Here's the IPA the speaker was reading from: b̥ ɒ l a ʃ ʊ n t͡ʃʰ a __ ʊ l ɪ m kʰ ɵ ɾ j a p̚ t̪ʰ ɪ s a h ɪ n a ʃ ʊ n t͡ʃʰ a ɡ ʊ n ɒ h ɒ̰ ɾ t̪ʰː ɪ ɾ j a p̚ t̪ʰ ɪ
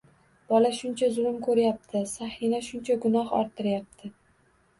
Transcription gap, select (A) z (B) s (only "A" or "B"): A